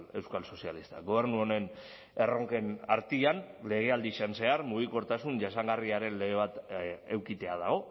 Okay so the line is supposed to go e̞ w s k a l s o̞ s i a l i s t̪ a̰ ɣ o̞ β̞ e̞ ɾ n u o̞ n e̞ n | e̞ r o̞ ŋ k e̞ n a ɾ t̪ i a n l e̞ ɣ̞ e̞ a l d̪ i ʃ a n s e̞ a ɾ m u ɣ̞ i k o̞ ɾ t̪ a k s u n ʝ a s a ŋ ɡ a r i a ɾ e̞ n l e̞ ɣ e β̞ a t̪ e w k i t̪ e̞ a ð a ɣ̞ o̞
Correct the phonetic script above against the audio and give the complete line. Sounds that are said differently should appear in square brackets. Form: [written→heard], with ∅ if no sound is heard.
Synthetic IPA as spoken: e̞ w s k a l s o̞ s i a l i s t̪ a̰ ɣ o̞ β̞ e̞ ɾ n u o̞ n e̞ n | e̞ r o̞ ŋ k e̞ n a ɾ t̪ i a n l e̞ ɣ̞ e̞ a l d̪ i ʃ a n s e̞ a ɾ m u ɣ̞ i k o̞ ɾ t̪ a [k→∅] s u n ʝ a s a ŋ ɡ a r i a ɾ e̞ n l e̞ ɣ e β̞ a t̪ e w k i t̪ e̞ a ð a ɣ̞ o̞

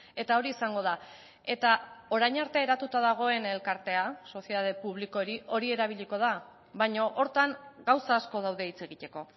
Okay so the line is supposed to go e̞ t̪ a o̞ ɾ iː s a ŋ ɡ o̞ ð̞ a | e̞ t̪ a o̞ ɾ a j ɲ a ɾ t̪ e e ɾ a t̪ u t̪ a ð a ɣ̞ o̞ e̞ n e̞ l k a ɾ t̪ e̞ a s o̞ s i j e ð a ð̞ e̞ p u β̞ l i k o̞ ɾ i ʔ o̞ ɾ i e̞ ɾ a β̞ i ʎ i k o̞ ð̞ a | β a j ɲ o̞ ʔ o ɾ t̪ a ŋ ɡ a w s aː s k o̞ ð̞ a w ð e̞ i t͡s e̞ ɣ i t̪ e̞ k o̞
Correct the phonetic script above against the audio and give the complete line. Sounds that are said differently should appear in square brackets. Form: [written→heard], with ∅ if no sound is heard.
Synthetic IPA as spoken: e̞ t̪ a o̞ ɾ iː s a ŋ ɡ o̞ ð̞ a | e̞ t̪ a o̞ ɾ a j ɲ a ɾ t̪ e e ɾ a t̪ u t̪ a ð a ɣ̞ o̞ e̞ n e̞ l k a ɾ t̪ e̞ a s o̞ s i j e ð a ð̞ e̞ p u β̞ l i k o̞ ɾ i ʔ o̞ ɾ i e̞ ɾ a β̞ i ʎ i k o̞ ð̞ a | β a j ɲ o̞ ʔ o ɾ t̪ a ŋ ɡ a w s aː s k o̞ ð̞ a w ð e̞ i t͡s e̞ ɣ i t̪ e̞ k o̞

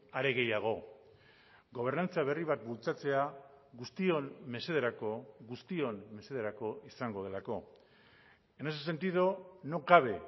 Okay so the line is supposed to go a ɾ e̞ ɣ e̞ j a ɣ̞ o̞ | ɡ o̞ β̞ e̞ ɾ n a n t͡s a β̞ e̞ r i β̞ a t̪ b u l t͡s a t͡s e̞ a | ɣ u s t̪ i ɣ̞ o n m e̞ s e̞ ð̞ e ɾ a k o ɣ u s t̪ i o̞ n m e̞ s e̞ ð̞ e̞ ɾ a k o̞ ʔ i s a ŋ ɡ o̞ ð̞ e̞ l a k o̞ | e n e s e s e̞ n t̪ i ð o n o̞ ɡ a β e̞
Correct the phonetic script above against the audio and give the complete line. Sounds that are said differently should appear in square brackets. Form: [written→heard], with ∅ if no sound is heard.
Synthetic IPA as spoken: a ɾ e̞ ɣ e̞ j a ɣ̞ o̞ | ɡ o̞ β̞ e̞ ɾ n a n t͡s a β̞ e̞ r i β̞ a t̪ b u l t͡s a t͡s e̞ a | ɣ u s t̪ i [ɣ̞→∅] o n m e̞ s e̞ ð̞ e ɾ a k o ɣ u s t̪ i o̞ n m e̞ s e̞ ð̞ e̞ ɾ a k o̞ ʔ i s a ŋ ɡ o̞ ð̞ e̞ l a k o̞ | e n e s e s e̞ n t̪ i ð o n o̞ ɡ a β e̞

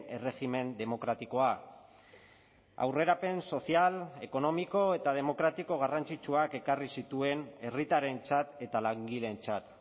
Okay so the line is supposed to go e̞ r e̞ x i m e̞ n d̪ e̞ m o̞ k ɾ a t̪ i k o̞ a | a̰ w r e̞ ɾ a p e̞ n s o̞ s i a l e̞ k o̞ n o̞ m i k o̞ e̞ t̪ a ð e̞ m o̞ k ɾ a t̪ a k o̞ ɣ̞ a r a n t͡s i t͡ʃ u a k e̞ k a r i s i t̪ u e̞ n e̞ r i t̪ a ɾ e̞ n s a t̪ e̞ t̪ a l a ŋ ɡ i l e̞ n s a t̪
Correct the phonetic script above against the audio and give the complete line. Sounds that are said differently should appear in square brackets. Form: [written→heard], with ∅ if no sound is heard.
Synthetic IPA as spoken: e̞ r e̞ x i m e̞ n d̪ e̞ m o̞ k ɾ a t̪ i k o̞ a | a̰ w r e̞ ɾ a p e̞ n s o̞ s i a l e̞ k o̞ n o̞ m i k o̞ e̞ t̪ a ð e̞ m o̞ k ɾ a t̪ [a→i] k o̞ ɣ̞ a r a n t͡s i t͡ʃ u a k e̞ k a r i s i t̪ u e̞ n e̞ r i t̪ a ɾ e̞ n [s→t͡s] a t̪ e̞ t̪ a l a ŋ ɡ i l e̞ n [s→t͡s] a t̪

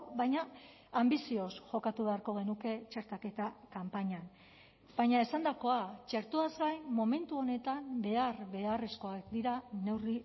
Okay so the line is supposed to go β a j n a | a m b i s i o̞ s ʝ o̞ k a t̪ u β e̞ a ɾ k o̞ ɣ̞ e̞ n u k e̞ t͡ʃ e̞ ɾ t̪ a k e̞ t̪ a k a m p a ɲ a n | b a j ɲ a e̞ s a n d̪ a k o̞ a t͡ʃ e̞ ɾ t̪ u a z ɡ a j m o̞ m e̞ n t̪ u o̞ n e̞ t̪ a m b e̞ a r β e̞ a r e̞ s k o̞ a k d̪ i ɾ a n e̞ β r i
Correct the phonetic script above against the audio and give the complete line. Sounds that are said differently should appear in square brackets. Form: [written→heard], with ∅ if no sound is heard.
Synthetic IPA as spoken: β a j [n→ɲ] a | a m b i s i o̞ s ʝ o̞ k a t̪ u β e̞ a ɾ k o̞ ɣ̞ e̞ n u k e̞ t͡ʃ e̞ ɾ t̪ a k e̞ t̪ a k a m p a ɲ a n | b a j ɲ a e̞ s a n d̪ a k o̞ a t͡ʃ e̞ ɾ t̪ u a z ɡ a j m o̞ m e̞ n t̪ u o̞ n e̞ t̪ a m b e̞ a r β e̞ a r e̞ s k o̞ a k d̪ i ɾ a n e̞ [β→w] r i

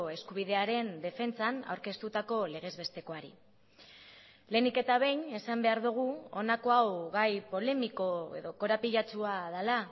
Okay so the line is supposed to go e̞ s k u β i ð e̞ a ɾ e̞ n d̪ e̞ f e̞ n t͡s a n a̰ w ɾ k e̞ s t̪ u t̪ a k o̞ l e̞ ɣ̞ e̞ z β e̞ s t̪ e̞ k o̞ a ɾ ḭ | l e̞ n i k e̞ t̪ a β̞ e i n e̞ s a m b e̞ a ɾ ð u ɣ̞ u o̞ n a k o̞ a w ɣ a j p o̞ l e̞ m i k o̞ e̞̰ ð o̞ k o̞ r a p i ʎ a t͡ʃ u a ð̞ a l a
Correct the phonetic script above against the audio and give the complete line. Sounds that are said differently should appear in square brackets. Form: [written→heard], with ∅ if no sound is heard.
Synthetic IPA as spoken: e̞ s k u β i ð e̞ a ɾ e̞ n d̪ e̞ f e̞ n t͡s a n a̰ w ɾ k e̞ s t̪ u t̪ a k o̞ l e̞ ɣ̞ e̞ z β e̞ s t̪ e̞ k o̞ a ɾ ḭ | l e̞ n i k e̞ t̪ a β̞ e [i→j] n e̞ s a m b e̞ a ɾ ð u ɣ̞ u o̞ n a k o̞ a w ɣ a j p o̞ l e̞ m i k o̞ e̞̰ ð o̞ k o̞ [r→ɾ] a p i ʎ a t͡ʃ u a ð̞ a l a

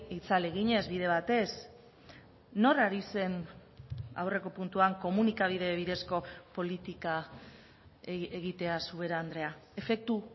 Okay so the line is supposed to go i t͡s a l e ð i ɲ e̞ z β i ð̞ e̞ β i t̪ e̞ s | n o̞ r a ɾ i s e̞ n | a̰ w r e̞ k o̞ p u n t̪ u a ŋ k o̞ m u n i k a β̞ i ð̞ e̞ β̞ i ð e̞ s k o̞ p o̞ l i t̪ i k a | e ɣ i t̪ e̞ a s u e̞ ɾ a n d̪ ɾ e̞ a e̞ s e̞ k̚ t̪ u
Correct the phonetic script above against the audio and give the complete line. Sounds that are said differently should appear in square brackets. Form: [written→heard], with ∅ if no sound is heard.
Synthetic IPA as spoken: i t͡s a l e [ð→ɣ] i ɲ e̞ z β i ð̞ e̞ β [i→a] t̪ e̞ s | n o̞ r a ɾ i s e̞ n | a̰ w r e̞ k o̞ p u n t̪ u a ŋ k o̞ m u n i k a β̞ i ð̞ e̞ β̞ i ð e̞ s k o̞ p o̞ l i t̪ i k a | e ɣ i t̪ e̞ a s u e̞ ɾ a n d̪ ɾ e̞ a e̞ [s→f] e̞ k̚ t̪ u

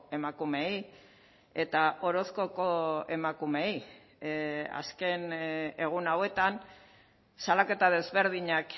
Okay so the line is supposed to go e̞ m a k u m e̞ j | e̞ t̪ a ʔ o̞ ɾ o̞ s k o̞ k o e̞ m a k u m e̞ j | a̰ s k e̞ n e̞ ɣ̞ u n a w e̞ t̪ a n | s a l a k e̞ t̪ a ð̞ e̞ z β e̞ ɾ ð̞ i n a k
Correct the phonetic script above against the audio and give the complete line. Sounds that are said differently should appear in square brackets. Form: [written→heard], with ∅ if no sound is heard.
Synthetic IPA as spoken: e̞ m a k u m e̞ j | e̞ t̪ a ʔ o̞ ɾ o̞ s k o̞ k o e̞ m a k u m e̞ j | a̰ s k e̞ n e̞ ɣ̞ u n a w e̞ t̪ a n | s a l a k e̞ t̪ a ð̞ e̞ z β e̞ ɾ ð̞ i [n→ɲ] a k

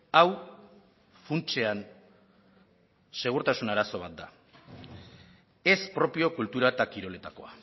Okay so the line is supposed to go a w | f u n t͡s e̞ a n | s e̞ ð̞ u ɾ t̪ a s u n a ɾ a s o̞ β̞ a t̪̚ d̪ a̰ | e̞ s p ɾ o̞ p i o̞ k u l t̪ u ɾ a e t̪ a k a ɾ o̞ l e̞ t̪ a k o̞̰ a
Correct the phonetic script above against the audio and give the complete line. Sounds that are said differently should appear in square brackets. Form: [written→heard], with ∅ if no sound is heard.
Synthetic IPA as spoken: a w | f u n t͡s e̞ a n | s e̞ [ð̞→ɣ̞] u ɾ t̪ a s u n a ɾ a s o̞ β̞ a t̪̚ d̪ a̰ | e̞ s p ɾ o̞ p i o̞ k u l t̪ u ɾ a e t̪ a k [a→i] ɾ o̞ l e̞ t̪ a k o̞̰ a

